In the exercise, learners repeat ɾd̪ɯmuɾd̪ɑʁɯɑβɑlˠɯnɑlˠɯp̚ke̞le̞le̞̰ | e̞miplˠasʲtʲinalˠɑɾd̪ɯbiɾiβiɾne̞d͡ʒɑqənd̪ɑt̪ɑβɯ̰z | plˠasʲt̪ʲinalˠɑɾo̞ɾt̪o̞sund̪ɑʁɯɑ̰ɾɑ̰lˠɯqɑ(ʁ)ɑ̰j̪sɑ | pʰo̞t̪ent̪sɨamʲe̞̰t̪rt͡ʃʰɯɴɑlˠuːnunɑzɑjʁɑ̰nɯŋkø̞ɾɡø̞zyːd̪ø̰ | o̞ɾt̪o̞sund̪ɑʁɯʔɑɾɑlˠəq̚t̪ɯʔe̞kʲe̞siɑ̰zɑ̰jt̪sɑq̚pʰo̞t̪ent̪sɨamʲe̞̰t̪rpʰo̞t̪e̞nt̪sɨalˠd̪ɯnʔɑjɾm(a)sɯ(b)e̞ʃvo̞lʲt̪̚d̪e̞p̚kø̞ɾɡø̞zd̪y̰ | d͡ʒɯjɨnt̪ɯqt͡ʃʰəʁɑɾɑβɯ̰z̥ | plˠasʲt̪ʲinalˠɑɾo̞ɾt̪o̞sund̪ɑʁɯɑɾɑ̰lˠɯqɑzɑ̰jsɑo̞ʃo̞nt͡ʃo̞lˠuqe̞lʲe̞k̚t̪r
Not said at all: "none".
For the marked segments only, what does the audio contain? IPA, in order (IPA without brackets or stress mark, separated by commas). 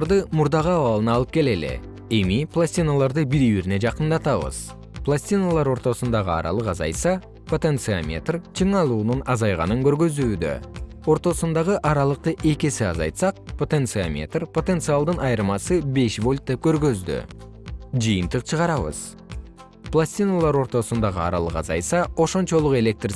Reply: z, ɑ, b